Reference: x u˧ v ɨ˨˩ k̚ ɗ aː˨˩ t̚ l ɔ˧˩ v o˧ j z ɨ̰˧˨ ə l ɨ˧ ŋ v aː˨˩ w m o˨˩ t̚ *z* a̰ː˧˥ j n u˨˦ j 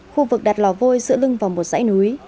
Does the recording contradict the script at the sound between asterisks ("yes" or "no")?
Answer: no